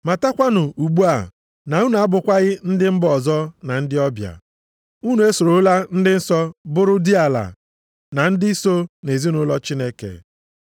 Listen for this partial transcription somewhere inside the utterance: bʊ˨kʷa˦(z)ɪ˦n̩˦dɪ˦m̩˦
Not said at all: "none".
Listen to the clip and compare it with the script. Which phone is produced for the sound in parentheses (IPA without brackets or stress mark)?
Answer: ɣ